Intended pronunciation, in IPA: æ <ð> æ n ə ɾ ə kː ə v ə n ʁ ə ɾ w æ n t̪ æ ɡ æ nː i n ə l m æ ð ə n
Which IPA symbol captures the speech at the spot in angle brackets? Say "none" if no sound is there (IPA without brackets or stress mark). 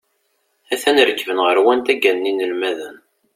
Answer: θ